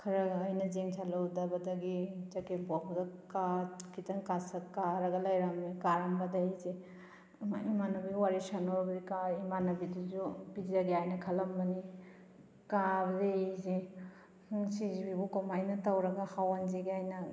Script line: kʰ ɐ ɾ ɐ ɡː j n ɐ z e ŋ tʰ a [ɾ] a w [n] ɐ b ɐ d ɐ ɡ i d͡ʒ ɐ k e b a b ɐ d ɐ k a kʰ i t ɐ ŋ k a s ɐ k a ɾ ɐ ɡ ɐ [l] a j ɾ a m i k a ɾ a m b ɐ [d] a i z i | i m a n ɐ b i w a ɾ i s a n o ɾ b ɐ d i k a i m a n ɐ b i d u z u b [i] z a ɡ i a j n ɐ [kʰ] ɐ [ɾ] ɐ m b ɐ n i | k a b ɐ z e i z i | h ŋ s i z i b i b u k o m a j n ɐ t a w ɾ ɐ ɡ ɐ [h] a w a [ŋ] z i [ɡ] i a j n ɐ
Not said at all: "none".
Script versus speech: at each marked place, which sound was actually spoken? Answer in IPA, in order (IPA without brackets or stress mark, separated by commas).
l, d, l, d, i, kʰ, l, h, n, ɡ